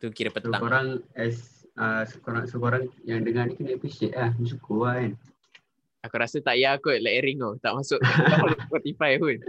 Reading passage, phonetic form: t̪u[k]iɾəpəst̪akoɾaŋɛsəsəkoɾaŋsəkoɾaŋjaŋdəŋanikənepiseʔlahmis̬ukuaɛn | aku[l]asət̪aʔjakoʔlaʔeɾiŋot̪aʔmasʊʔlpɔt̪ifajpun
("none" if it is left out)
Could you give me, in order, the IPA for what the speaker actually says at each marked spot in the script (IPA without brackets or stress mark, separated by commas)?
k, ɾ